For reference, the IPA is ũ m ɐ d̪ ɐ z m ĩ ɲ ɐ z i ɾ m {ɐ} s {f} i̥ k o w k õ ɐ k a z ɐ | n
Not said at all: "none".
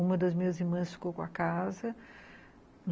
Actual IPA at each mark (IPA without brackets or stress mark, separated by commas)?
ɐ̃, f